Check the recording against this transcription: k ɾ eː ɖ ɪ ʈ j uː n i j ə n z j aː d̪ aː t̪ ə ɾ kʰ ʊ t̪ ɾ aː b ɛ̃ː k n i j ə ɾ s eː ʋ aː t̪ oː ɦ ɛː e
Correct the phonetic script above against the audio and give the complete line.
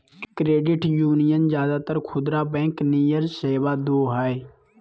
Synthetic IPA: k ɾ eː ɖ ɪ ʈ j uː n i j ə n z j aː d̪ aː t̪ ə ɾ kʰ ʊ d̪ ɾ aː b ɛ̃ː k n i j ə ɾ s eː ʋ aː d̪ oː ɦ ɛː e